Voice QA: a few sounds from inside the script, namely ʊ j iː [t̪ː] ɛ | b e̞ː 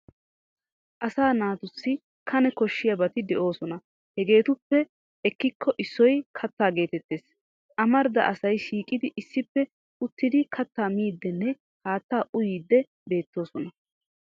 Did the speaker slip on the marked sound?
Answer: yes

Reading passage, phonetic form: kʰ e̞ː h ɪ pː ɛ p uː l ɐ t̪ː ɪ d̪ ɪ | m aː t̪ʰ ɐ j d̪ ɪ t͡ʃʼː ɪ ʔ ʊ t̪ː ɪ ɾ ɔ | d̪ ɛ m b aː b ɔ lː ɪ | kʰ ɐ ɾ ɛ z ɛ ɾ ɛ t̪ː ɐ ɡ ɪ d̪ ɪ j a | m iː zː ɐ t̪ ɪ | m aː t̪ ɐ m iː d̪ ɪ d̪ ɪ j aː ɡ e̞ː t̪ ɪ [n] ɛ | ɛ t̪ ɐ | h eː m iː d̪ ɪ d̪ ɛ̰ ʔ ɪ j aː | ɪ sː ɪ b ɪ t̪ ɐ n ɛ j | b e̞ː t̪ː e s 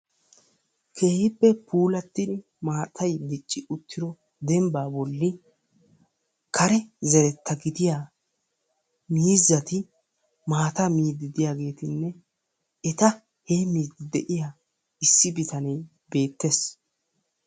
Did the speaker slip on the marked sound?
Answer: yes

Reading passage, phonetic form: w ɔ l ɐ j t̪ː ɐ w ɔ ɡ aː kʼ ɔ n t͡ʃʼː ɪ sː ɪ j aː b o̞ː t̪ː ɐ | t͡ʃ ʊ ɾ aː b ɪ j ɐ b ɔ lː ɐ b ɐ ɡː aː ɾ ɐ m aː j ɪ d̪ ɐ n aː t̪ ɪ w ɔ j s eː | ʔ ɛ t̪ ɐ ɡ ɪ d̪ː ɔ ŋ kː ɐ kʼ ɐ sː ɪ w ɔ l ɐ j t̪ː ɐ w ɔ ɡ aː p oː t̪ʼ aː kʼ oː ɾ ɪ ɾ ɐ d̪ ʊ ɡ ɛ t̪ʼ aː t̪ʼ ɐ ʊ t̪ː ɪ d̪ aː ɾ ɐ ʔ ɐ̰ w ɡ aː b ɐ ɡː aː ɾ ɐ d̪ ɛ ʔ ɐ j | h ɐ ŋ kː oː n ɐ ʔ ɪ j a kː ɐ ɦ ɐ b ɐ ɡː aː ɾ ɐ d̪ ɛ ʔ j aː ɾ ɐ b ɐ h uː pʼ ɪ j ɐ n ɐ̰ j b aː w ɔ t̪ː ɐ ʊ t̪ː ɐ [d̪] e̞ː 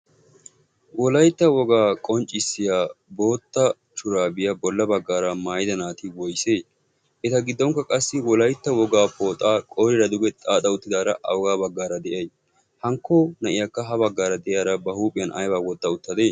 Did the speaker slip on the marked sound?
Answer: no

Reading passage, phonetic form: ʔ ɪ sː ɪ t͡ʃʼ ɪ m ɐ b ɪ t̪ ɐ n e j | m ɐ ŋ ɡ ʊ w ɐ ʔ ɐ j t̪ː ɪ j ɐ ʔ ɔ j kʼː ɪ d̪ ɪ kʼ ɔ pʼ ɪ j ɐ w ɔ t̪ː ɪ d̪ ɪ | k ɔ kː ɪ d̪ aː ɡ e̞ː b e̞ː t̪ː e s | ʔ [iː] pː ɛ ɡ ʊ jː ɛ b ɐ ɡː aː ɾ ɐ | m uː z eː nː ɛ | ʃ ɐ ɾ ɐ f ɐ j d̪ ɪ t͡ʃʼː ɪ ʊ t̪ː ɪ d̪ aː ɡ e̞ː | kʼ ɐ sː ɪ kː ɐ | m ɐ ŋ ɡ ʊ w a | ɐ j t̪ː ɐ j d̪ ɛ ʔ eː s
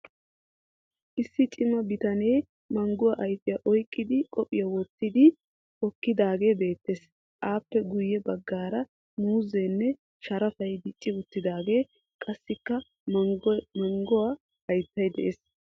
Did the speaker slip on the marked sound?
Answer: yes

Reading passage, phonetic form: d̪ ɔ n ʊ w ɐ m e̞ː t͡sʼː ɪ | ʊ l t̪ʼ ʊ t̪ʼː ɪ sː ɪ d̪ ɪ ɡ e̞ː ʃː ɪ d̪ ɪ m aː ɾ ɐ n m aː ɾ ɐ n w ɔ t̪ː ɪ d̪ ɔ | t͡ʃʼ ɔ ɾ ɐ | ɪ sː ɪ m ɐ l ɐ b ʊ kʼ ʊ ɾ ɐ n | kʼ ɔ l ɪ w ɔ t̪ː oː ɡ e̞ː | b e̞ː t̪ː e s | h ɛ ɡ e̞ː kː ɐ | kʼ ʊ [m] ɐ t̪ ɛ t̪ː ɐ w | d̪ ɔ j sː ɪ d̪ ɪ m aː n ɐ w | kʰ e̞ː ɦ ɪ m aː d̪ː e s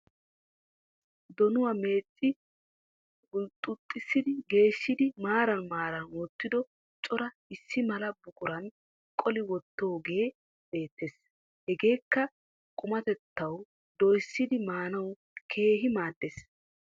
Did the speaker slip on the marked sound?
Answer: no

